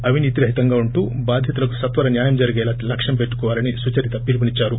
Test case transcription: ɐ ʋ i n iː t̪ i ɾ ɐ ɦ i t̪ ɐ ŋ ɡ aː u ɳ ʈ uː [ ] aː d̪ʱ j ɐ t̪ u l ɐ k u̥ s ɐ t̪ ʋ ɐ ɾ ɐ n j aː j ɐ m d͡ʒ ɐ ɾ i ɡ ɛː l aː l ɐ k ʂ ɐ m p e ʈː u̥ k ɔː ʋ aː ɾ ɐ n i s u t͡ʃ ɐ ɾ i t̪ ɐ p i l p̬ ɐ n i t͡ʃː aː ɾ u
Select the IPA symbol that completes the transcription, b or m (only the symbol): b